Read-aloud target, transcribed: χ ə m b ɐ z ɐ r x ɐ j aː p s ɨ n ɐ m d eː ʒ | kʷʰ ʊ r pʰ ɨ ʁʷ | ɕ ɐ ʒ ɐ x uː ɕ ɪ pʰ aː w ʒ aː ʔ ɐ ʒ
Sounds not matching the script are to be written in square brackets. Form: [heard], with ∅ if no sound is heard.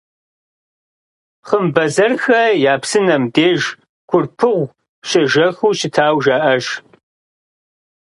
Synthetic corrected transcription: χ ə m b ɐ z ɐ r x ɐ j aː p s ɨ n ɐ m d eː ʒ | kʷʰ ʊ r pʰ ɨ ʁʷ | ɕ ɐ ʒ ɐ x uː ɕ ɪ [tʰ] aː w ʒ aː ʔ ɐ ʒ